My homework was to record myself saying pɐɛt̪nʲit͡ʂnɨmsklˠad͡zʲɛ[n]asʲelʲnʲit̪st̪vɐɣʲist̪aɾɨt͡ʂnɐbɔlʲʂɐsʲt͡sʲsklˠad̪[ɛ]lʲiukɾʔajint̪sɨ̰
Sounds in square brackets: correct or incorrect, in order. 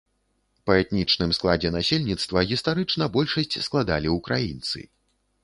correct, incorrect

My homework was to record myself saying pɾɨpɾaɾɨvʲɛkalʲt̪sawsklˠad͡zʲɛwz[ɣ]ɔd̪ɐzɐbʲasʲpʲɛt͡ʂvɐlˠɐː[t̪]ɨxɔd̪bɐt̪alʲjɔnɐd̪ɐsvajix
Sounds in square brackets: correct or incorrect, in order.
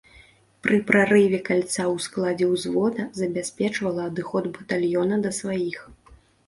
incorrect, incorrect

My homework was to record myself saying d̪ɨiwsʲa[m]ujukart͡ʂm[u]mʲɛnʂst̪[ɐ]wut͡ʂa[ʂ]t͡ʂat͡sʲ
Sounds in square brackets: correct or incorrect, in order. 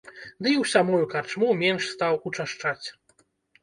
correct, correct, incorrect, correct

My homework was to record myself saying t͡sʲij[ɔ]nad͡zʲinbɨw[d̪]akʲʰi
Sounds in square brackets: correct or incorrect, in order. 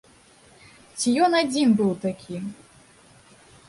correct, incorrect

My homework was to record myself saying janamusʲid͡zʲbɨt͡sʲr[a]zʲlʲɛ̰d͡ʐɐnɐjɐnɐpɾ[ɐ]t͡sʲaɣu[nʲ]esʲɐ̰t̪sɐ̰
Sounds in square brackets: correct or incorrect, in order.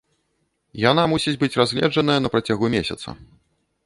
correct, incorrect, incorrect

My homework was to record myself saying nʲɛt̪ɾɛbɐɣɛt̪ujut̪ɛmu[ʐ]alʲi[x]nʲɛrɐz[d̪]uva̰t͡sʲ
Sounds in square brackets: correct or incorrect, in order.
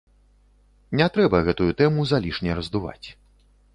incorrect, incorrect, correct

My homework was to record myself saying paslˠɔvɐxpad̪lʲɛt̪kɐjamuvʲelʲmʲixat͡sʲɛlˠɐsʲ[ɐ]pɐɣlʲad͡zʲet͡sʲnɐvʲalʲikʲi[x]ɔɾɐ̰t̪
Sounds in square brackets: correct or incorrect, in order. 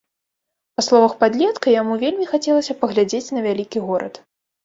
correct, incorrect

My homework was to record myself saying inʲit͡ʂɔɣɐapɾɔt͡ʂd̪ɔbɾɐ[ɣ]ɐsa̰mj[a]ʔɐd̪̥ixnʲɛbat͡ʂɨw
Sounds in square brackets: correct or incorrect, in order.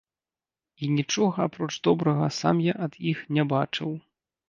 correct, correct

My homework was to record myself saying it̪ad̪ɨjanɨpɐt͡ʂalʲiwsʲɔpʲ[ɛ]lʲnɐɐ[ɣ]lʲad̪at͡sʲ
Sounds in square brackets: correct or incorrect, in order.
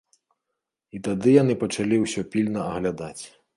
incorrect, correct

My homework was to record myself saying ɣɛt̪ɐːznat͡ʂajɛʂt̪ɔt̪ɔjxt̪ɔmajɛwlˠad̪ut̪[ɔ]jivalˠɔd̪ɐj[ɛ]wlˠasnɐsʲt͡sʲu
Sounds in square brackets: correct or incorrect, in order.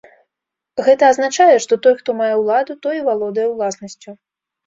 correct, correct

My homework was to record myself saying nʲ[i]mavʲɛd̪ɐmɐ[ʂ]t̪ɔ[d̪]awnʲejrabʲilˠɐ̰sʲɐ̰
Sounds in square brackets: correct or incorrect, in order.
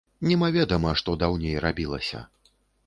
incorrect, correct, correct

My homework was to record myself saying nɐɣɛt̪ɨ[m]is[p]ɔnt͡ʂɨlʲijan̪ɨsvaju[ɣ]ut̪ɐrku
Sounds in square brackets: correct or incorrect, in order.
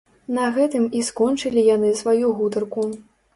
correct, incorrect, correct

